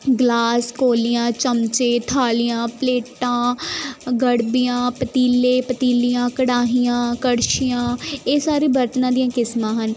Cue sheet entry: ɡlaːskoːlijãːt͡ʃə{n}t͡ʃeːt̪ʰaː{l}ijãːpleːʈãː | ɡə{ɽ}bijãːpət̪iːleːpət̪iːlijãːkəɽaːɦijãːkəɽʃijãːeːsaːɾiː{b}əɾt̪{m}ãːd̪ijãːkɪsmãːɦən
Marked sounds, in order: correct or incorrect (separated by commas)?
incorrect, correct, correct, correct, incorrect